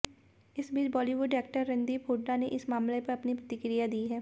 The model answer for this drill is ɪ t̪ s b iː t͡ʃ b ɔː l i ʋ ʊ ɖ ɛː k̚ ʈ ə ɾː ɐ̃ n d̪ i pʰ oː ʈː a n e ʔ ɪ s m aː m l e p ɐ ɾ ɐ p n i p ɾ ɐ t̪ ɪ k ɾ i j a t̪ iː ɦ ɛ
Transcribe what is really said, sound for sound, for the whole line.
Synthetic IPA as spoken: ɪ s b iː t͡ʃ b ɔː l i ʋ ʊ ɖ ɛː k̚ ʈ ə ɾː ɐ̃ n d̪ i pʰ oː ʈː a n e ʔ ɪ s m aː m l e p ɐ ɾ ɐ p n i p ɾ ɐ t̪ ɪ k ɾ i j a d̪ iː ɦ ɛː